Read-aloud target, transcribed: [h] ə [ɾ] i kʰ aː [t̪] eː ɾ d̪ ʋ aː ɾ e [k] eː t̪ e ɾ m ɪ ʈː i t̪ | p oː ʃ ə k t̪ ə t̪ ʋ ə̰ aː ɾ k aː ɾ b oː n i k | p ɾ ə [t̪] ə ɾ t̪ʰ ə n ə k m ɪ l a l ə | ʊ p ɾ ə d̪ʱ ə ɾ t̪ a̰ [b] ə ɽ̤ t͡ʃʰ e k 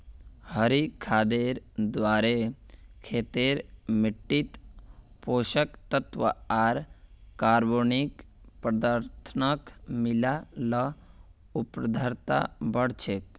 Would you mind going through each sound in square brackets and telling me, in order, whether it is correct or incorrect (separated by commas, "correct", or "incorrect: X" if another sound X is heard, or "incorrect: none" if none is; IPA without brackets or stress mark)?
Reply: correct, correct, incorrect: d̪, incorrect: kʰ, incorrect: d̪, correct